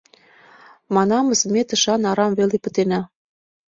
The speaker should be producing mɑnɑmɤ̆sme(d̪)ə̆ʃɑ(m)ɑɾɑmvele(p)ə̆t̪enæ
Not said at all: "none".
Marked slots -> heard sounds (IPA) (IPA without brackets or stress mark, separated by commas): t̪, n, p